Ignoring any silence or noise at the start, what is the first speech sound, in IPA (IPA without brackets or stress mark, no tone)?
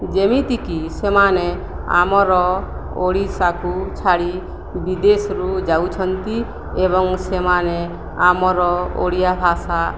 d͡ʒ